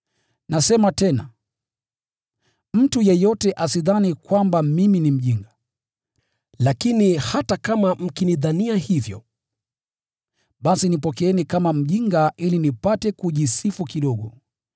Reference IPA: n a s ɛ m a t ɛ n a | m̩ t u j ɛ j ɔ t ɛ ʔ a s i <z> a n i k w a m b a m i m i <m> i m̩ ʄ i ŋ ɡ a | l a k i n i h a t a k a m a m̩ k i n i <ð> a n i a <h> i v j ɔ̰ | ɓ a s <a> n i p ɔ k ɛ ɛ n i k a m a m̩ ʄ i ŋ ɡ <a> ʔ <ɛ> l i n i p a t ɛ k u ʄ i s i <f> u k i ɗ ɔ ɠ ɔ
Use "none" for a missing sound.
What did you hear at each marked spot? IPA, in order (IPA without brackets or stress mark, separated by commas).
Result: ð, n, ð, h, i, a, i, f